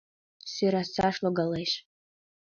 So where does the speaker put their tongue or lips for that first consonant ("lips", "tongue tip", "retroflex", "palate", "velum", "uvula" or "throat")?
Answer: tongue tip